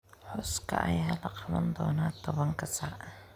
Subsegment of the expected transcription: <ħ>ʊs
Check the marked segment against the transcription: correct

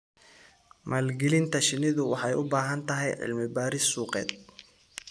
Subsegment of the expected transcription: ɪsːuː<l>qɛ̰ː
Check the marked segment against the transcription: incorrect: none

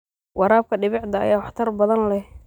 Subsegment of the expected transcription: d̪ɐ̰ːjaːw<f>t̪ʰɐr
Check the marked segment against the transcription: incorrect: ħ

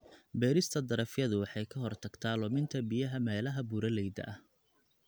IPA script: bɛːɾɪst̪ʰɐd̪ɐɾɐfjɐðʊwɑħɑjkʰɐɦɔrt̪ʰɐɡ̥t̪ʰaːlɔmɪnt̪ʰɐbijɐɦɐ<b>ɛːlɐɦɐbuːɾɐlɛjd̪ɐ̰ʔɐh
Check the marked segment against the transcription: incorrect: m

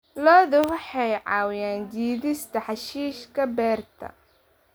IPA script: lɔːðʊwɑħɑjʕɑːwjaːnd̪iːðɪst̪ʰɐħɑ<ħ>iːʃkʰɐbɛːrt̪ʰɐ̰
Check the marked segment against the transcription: incorrect: ʃ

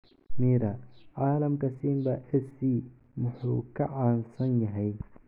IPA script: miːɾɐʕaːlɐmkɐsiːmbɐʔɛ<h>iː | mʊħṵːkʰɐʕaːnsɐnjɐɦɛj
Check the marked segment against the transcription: incorrect: s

